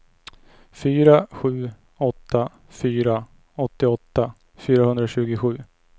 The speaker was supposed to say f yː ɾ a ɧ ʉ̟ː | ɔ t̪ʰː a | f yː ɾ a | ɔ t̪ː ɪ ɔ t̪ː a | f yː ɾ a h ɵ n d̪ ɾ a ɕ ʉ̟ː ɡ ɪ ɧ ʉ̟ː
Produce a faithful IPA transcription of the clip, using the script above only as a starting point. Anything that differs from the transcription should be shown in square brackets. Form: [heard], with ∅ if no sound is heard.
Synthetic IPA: f yː ɾ a ɧ ʉ̟ː | ɔ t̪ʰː a | f yː ɾ a | ɔ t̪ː ɪ ɔ t̪ː a | f yː ɾ a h ɵ n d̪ ɾ a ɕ ʉ̟ː ɡ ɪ ɧ ʉ̟ː

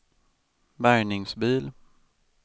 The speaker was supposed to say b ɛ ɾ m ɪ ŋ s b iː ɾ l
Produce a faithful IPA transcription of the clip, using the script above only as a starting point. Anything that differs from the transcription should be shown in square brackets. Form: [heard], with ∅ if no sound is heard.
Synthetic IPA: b [æ] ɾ [ɳ] ɪ ŋ s b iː [∅] l

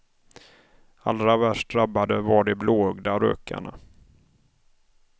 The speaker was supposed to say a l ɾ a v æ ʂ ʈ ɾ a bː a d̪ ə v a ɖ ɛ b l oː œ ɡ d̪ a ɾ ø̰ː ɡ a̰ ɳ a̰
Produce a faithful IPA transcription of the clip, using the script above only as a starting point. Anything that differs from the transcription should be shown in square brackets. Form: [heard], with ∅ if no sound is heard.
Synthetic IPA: a l ɾ a v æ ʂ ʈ ɾ a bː a d̪ ə v a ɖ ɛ b l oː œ ɡ d̪ a ɾ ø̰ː [k] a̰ ɳ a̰

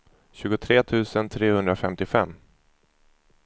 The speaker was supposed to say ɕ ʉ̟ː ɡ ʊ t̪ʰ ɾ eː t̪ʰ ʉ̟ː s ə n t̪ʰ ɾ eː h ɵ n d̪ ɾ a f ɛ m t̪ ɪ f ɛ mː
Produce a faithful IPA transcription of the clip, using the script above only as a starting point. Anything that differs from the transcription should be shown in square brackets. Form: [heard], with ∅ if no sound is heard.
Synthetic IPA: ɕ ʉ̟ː ɡ ʊ t̪ʰ ɾ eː t̪ʰ ʉ̟ː s ə n t̪ʰ ɾ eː h ɵ n d̪ ɾ a f ɛ m t̪ ɪ f ɛ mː

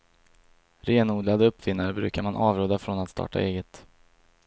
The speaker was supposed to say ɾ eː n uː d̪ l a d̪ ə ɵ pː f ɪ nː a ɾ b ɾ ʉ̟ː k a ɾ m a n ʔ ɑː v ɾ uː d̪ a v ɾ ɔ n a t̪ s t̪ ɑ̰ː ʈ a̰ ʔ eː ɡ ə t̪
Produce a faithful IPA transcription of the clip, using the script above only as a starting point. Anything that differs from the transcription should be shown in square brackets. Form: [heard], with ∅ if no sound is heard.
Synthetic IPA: ɾ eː n uː d̪ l a d̪ ə ɵ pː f ɪ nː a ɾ b ɾ ʉ̟ː k a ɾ m a n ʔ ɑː v ɾ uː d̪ a [f] ɾ ɔ n a t̪ s t̪ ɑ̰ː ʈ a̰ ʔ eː ɡ ə t̪

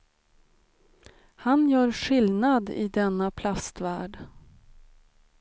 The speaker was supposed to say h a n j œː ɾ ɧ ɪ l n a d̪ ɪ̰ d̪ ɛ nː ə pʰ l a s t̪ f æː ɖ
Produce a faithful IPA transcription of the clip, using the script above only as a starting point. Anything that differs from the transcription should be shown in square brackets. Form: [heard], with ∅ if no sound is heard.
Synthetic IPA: h a n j œː ɾ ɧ ɪ l n a d̪ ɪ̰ d̪ ɛ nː [a] pʰ l a s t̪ [v] æː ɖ

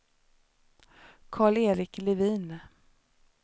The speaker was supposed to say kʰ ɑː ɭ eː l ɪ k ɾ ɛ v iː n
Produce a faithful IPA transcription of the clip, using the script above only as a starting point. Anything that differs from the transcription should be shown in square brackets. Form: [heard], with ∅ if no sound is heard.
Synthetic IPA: kʰ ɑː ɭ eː [ɾ] ɪ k [l] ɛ v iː n

